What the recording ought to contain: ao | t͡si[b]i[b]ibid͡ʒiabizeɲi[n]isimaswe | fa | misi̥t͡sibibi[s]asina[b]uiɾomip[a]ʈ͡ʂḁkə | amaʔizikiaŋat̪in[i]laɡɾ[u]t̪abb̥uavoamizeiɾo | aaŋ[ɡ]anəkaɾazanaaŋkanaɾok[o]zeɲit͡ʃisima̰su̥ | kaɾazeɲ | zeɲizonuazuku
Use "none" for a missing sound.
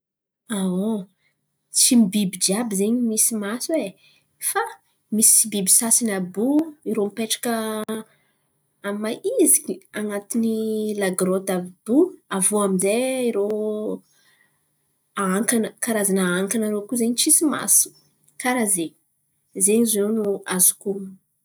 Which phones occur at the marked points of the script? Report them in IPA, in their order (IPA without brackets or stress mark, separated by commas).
m, b, m, s, b, e, i, o, k, u